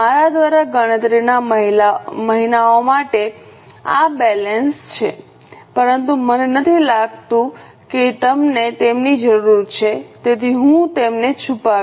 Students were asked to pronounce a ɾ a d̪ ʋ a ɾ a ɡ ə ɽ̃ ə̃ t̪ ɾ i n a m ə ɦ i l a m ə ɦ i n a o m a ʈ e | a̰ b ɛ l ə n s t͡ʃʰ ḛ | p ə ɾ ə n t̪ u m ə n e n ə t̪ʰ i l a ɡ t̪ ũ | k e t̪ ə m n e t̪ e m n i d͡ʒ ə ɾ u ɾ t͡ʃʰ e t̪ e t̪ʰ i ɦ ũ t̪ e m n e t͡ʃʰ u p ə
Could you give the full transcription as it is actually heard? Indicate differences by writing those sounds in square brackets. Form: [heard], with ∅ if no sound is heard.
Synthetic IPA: a ɾ a d̪ ʋ a ɾ a ɡ ə ɽ̃ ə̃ t̪ ɾ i n a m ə ɦ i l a m ə ɦ i n a o m a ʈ e | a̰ b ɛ l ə n s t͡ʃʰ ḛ | p ə ɾ ə n t̪ u m ə n e n ə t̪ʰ i l a ɡ t̪ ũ | k e t̪ ə m n e t̪ e m n i d͡ʒ ə ɾ u ɾ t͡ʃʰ e t̪ e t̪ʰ i ɦ ũ t̪ e m n e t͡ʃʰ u p [a]